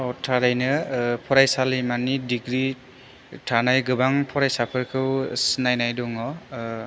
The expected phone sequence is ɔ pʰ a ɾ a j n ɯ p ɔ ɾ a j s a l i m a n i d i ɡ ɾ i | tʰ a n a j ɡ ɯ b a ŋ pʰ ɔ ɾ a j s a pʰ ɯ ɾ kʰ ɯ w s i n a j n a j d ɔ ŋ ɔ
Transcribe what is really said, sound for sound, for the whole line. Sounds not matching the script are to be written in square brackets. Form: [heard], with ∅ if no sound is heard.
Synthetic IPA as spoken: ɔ [tʰ] a ɾ a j n ɯ [pʰ] ɔ ɾ a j s a l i m a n i d i ɡ ɾ i | tʰ a n a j ɡ ɯ b a ŋ pʰ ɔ ɾ a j s a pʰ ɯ ɾ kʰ ɯ w s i n a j n a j d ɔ ŋ ɔ